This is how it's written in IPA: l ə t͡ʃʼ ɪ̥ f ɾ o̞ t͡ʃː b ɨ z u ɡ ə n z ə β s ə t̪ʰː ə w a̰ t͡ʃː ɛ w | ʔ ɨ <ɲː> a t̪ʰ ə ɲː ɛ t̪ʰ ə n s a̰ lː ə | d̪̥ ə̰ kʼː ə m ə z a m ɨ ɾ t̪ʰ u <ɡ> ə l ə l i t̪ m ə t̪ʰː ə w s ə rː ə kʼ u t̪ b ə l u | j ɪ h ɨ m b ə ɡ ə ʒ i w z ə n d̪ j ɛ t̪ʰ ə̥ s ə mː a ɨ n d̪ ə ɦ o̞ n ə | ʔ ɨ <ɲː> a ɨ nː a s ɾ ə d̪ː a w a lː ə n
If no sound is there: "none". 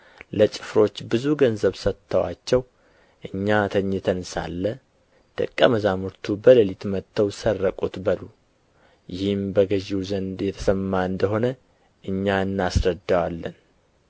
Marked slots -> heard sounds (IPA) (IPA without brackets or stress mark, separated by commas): ɲː, b, ɲː